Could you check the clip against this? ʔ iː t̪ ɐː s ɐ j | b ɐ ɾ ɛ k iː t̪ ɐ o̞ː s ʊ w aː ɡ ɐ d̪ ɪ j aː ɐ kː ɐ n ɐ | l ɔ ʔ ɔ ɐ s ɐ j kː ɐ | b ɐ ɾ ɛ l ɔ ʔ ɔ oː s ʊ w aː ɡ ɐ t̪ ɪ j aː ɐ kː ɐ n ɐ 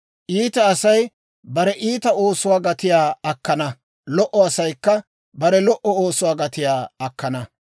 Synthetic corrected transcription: ʔ iː t̪ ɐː s ɐ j | b ɐ ɾ ɛ ʔ iː t̪ ɐ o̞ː s ʊ w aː ɡ ɐ t̪ ɪ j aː ɐ kː ɐ n ɐ | l ɔ ʔ ɔ ɐ s ɐ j kː ɐ | b ɐ ɾ ɛ l ɔ ʔ ɔ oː s ʊ w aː ɡ ɐ t̪ ɪ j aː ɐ kː ɐ n ɐ